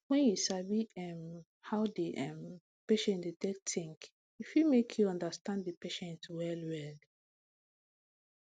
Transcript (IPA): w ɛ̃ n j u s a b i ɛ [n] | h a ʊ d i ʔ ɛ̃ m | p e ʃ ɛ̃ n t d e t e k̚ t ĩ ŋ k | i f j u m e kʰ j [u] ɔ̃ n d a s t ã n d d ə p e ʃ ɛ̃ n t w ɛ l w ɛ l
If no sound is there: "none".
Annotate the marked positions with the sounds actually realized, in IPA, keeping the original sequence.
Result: m, u

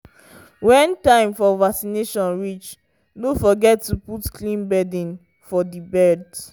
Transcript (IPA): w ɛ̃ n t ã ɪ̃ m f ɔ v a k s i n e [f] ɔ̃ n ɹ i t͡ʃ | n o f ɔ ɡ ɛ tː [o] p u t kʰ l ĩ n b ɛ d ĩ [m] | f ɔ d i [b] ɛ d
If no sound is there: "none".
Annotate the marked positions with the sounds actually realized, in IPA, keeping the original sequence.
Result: ʃ, u, n, b

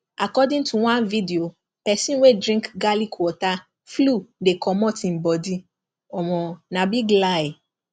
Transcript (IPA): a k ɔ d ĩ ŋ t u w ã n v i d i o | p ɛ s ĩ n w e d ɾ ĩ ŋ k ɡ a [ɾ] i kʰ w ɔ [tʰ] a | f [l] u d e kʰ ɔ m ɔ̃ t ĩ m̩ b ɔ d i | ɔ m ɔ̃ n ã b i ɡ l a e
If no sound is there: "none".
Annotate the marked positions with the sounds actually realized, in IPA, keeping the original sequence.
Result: l, t, l

